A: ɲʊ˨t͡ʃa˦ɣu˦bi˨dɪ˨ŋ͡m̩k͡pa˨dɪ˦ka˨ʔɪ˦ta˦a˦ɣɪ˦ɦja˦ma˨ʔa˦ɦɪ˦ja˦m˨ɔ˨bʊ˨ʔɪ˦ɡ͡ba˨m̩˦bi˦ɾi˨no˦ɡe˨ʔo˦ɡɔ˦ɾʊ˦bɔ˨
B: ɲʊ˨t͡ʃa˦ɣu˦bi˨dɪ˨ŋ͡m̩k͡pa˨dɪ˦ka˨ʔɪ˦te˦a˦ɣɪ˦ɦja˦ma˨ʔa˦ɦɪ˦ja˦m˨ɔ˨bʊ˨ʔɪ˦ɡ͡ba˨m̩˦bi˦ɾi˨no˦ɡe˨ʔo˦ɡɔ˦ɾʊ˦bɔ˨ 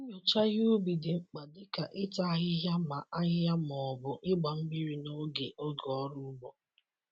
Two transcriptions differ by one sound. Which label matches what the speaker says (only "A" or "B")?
A